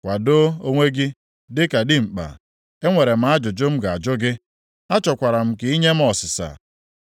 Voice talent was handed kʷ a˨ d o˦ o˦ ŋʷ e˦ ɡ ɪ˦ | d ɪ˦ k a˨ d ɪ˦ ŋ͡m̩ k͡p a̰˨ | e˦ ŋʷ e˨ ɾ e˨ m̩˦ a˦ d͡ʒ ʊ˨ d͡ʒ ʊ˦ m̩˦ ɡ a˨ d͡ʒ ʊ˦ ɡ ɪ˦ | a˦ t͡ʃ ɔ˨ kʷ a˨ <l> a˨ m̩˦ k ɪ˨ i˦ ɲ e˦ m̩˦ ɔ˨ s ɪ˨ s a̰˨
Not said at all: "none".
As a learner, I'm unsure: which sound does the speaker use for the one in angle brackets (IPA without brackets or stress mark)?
ɾ